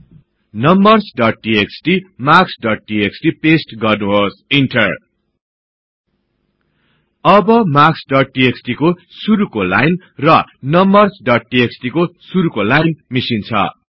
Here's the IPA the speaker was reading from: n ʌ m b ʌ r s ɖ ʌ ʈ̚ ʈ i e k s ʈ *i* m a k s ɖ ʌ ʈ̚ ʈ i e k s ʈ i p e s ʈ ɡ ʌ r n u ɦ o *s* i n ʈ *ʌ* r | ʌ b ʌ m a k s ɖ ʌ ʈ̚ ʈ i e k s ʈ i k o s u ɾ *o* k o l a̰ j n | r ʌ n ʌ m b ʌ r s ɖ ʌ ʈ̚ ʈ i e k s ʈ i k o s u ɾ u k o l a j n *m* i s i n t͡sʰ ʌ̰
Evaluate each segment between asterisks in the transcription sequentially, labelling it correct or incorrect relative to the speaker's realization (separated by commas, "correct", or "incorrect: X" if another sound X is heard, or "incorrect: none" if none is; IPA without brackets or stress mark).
correct, correct, correct, incorrect: u, correct